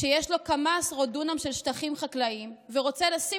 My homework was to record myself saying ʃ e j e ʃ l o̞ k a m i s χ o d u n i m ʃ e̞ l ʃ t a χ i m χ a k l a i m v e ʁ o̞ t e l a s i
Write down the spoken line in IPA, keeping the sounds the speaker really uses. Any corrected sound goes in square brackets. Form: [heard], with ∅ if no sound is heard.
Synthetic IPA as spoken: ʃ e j e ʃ l o̞ k a m [a] s [ʁ] o d u n [a] m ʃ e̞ l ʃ t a χ i m χ a k l a i m v e ʁ o̞ [t͡s] e l a s i